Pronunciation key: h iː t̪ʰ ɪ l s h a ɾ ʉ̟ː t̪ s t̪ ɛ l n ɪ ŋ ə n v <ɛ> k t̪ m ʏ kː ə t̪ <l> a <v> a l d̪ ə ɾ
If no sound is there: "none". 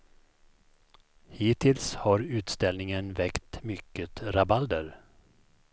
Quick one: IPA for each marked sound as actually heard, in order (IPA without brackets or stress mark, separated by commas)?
ɛ, ɾ, b